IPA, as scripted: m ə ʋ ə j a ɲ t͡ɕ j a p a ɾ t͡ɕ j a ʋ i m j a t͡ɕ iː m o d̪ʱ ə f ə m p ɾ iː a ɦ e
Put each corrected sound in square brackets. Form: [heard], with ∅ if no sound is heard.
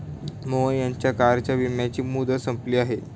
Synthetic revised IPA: m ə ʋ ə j a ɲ t͡ɕ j a [k] a ɾ t͡ɕ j a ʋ i m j a t͡ɕ iː m [u] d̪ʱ ə [s] ə m p [l] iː a ɦ e